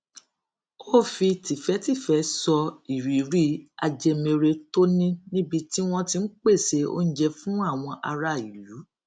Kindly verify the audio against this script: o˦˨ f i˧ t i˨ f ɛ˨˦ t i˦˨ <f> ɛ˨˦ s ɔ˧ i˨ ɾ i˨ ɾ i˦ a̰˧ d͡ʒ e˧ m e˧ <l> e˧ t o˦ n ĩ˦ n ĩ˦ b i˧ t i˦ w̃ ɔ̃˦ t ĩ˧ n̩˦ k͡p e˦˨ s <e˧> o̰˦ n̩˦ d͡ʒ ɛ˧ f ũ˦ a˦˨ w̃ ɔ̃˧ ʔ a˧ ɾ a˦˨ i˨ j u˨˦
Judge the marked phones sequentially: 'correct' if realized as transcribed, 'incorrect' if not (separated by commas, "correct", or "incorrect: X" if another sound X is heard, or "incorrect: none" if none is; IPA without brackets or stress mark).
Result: correct, incorrect: ɾ, correct